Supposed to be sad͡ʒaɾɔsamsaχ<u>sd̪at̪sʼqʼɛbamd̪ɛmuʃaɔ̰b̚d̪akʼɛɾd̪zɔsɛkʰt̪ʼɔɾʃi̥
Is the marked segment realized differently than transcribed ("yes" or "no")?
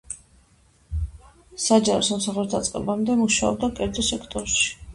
no